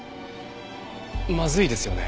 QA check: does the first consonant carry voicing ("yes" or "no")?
yes